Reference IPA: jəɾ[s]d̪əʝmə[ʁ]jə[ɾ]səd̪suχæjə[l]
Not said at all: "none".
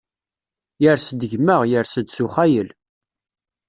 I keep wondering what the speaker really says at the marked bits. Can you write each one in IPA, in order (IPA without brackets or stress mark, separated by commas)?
s, ʁ, ɾ, l